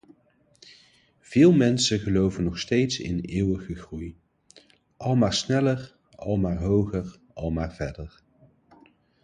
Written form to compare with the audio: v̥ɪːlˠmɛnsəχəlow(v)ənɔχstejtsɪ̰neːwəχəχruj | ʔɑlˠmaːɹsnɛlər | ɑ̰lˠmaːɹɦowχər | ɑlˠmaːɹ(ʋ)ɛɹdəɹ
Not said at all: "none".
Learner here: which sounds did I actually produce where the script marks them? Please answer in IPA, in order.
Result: v, v

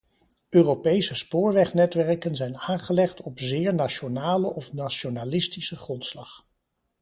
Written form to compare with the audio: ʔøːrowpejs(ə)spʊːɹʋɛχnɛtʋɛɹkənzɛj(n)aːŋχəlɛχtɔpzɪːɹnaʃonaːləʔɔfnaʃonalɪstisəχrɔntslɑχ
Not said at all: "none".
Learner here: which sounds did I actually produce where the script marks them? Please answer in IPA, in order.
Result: ə, n

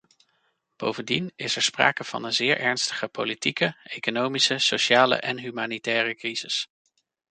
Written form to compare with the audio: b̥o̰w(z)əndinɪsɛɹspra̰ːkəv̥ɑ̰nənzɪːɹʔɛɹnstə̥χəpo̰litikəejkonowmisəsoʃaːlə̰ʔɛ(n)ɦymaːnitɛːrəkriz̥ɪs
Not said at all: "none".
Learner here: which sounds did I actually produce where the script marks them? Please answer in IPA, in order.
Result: v, n

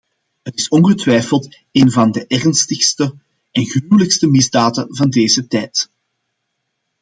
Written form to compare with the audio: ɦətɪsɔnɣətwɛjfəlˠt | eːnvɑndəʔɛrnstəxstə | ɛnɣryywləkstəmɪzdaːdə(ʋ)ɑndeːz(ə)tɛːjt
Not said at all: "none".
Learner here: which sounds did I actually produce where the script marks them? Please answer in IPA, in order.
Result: v, ə

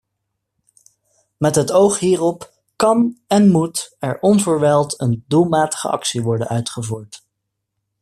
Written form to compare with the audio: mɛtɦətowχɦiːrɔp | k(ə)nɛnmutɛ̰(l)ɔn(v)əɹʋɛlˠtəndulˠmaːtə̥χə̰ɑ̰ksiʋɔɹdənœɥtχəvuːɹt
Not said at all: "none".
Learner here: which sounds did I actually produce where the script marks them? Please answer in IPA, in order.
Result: ɑ, ɹ, v

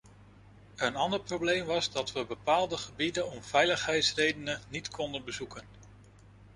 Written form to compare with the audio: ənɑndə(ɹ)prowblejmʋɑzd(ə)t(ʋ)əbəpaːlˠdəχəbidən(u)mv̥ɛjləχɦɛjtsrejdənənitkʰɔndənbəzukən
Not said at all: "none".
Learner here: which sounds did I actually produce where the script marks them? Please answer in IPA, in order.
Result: ɹ, ɑ, ʋ, ɔ

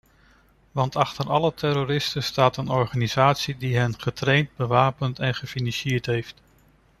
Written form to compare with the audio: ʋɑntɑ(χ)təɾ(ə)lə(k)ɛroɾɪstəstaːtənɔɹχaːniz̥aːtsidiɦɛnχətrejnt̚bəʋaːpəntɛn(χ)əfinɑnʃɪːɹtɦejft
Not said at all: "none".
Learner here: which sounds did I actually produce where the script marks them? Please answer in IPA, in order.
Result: χ, ɑ, t, χ

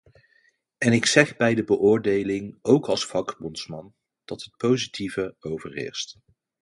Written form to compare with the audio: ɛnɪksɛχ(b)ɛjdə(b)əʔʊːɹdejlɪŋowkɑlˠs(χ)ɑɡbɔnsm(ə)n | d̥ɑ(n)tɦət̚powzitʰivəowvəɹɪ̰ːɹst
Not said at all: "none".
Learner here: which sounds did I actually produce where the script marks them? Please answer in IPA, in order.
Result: b, b, f, ɑ, none

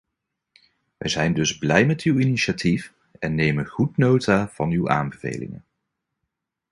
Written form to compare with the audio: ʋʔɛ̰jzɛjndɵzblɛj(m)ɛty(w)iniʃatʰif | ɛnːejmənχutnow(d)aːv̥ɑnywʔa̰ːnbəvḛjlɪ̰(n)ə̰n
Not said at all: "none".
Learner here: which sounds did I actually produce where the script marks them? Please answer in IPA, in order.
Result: m, w, t, ŋ

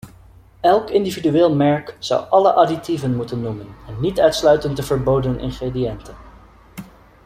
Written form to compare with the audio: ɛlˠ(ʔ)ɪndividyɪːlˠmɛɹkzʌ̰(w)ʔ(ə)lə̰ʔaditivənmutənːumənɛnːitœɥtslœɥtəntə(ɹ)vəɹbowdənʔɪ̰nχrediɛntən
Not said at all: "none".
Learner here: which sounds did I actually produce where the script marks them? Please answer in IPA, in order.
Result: k, w, ɑ, none

